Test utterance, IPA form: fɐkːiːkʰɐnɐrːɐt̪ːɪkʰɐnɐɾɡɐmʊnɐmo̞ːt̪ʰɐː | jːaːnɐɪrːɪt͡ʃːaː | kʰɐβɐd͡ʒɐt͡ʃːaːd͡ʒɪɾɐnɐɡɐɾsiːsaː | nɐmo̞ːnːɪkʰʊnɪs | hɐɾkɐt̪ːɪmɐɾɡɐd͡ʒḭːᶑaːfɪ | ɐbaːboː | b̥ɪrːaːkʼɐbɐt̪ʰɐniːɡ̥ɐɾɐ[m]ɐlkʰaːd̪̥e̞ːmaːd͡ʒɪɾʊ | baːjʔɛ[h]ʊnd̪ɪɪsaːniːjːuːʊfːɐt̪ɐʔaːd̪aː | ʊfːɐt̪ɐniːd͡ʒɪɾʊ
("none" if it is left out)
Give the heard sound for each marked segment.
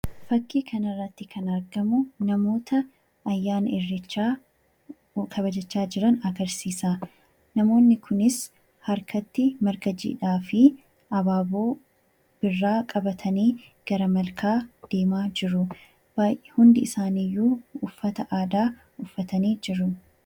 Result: m, h

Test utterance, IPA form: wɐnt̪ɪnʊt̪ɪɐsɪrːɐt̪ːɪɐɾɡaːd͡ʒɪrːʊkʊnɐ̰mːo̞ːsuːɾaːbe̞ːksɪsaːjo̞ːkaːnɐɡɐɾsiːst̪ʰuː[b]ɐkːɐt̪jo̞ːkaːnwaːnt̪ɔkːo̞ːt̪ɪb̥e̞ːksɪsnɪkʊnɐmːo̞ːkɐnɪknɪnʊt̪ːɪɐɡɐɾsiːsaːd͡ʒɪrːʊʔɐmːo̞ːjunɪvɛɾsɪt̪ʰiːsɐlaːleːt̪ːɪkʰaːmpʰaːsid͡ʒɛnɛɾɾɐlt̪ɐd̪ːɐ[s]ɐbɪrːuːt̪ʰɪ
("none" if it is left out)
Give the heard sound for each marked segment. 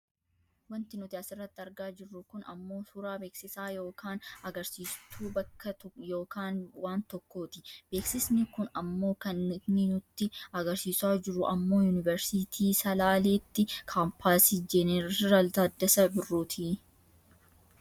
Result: b, s

